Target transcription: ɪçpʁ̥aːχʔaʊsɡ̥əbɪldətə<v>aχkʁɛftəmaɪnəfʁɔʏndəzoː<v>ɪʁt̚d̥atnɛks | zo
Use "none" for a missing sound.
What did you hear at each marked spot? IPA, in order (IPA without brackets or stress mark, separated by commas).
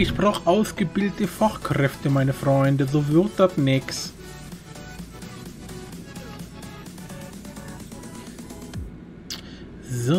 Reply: f, v